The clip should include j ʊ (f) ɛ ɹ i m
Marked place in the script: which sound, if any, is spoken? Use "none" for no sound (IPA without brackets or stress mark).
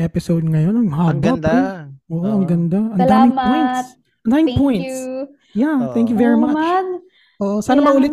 v